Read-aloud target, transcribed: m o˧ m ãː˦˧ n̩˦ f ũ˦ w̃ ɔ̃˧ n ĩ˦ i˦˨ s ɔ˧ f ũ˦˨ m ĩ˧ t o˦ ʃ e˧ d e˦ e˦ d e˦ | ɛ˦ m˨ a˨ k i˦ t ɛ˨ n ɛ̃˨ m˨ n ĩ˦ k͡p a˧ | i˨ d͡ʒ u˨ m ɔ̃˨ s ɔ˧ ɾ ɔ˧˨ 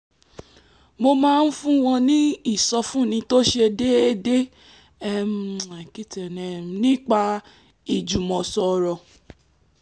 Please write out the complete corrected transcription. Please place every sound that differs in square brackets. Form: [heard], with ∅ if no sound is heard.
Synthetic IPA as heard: m o˧ m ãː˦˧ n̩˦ f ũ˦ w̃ ɔ̃˧ n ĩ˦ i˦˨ s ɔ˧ f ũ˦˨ [n] ĩ˧ t o˦ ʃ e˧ d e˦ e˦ d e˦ | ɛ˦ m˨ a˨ k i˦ t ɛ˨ n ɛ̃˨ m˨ n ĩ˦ k͡p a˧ | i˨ d͡ʒ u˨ m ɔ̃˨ s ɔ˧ ɾ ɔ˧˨